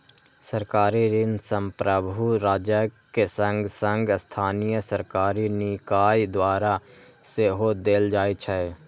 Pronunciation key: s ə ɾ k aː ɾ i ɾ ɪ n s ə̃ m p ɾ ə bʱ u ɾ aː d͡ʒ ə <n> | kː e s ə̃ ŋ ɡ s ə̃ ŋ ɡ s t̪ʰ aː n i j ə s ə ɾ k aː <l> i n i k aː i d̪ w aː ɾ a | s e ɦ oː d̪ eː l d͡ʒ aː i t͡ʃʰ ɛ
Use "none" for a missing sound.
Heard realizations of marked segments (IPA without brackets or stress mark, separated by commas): none, ɾ